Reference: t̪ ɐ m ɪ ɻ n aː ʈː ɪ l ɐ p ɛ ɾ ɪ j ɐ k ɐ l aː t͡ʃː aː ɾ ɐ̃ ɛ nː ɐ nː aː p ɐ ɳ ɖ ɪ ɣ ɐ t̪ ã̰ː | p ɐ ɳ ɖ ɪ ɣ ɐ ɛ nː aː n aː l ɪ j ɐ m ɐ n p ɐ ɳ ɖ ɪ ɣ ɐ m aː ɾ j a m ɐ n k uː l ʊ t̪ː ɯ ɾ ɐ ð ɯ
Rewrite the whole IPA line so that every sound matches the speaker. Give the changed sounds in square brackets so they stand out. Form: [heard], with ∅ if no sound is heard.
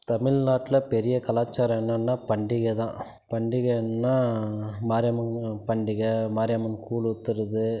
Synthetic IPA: t̪ ɐ m ɪ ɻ n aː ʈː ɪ l ɐ p ɛ ɾ ɪ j ɐ k ɐ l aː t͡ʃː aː ɾ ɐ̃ ɛ nː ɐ nː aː p ɐ ɳ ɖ ɪ ɣ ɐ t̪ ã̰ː | p ɐ ɳ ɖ ɪ ɣ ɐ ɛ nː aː [m] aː [ɾ] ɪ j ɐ m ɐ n p ɐ ɳ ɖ ɪ ɣ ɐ m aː ɾ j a m ɐ n k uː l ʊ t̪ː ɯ ɾ ɐ ð ɯ